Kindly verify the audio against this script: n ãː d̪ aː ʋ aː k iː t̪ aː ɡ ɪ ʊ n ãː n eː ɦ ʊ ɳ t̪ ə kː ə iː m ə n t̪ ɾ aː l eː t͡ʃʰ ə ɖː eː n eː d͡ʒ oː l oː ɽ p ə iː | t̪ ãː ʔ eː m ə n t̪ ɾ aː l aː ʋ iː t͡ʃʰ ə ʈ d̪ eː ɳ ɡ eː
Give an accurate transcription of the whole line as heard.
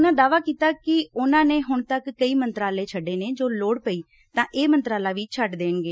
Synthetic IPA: n ãː d̪ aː ʋ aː k iː t̪ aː k ɪ ʊ n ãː n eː ɦ ʊ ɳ t̪ ə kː ə iː m ə n t̪ ɾ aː l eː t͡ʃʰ ə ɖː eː n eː d͡ʒ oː l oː ɽ p ə iː | t̪ ãː ʔ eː m ə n t̪ ɾ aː l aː ʋ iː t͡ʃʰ ə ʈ d̪ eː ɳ ɡ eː